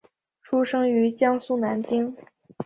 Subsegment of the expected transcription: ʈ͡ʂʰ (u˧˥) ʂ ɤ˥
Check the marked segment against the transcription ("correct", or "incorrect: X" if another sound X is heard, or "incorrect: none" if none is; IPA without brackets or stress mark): incorrect: u˥